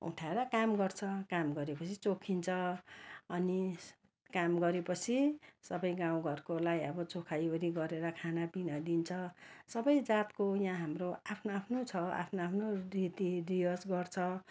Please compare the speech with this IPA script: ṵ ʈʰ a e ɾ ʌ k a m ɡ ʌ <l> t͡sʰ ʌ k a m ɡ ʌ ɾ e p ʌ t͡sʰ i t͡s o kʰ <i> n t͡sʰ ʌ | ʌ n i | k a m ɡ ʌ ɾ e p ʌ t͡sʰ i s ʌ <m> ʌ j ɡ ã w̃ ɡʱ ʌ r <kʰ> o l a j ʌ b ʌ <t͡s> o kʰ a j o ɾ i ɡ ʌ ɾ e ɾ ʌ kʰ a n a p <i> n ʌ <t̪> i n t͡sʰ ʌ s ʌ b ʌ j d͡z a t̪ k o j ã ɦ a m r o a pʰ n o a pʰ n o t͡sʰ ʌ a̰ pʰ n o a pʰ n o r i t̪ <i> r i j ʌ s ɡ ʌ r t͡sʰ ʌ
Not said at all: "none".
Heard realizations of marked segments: r, i, b, k, t͡s, i, d̪, i

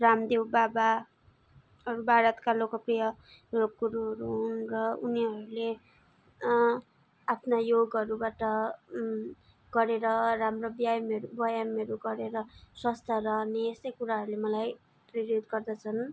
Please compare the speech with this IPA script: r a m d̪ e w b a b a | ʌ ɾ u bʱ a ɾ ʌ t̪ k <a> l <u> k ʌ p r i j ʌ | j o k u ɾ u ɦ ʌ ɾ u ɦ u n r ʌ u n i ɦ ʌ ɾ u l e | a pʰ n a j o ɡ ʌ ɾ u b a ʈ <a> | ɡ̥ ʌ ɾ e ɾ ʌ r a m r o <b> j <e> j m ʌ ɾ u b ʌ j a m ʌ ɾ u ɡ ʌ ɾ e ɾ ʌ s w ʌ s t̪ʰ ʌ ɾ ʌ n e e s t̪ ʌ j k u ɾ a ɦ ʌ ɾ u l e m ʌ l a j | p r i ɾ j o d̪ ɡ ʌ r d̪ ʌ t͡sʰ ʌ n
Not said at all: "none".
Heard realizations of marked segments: a, o, ʌ, b, a

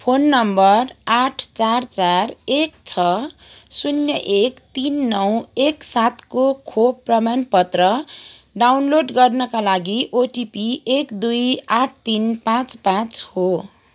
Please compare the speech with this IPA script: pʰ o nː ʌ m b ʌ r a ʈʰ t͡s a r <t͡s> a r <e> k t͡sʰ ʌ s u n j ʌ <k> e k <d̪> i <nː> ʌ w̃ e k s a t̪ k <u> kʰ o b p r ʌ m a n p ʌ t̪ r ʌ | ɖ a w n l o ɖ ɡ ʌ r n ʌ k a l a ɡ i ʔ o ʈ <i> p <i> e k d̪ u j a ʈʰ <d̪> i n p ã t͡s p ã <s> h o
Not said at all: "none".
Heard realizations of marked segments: t͡s, e, ʔ, t̪, nː, o, i, i, t̪, t͡s

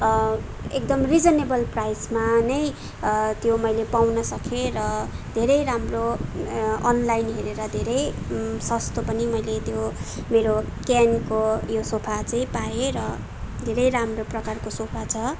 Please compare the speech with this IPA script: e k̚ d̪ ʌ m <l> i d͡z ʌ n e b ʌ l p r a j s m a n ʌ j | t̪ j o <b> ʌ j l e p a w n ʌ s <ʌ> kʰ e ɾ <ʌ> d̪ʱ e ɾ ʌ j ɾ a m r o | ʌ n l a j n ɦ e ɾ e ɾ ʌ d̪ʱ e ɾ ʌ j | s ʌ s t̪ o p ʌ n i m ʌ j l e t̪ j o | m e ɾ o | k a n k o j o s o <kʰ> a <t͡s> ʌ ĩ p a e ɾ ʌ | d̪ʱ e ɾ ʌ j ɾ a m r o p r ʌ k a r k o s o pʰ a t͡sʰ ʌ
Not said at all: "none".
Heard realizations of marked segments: r, m, ʌ, ʌ, pʰ, t͡s

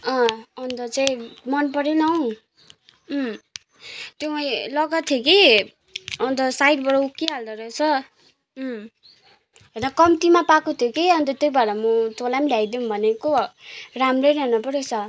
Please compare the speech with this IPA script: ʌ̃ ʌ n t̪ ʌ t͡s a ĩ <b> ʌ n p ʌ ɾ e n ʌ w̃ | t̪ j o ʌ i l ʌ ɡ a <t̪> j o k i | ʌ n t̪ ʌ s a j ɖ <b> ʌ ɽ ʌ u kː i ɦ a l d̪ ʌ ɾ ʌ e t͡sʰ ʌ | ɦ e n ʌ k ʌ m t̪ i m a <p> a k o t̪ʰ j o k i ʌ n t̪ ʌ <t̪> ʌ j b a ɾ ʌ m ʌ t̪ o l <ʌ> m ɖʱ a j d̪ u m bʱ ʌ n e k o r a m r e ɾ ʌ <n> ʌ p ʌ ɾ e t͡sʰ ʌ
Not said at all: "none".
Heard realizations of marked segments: m, t̪ʰ, b, p, t̪, a, n

